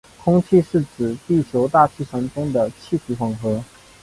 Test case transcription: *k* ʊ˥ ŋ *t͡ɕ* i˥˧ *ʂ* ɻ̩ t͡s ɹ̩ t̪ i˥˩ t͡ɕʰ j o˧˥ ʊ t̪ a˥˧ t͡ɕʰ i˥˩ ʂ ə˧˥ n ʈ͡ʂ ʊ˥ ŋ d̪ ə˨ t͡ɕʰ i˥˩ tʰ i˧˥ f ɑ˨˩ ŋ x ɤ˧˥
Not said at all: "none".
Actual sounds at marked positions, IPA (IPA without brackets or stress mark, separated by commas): kʰ, t͡ɕʰ, ʂ